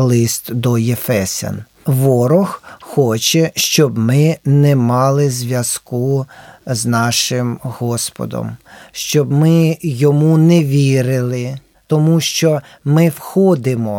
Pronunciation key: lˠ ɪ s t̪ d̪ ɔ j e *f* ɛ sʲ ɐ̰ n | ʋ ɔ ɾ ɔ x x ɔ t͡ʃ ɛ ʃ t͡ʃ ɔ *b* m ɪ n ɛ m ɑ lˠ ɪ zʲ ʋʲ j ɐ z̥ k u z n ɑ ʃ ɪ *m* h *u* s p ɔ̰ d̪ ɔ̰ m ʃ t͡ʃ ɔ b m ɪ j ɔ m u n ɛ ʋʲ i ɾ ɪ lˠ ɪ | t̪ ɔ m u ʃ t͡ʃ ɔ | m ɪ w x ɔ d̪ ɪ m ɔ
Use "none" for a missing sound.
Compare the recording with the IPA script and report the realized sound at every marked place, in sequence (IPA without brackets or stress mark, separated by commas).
f, b, m, ɔ